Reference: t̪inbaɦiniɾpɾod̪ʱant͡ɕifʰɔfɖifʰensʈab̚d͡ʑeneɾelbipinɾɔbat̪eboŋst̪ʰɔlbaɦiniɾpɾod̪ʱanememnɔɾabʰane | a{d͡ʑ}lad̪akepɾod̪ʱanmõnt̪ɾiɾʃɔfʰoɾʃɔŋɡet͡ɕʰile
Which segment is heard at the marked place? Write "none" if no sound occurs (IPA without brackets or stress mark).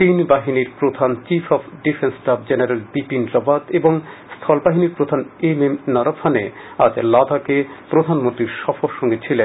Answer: d͡ʑ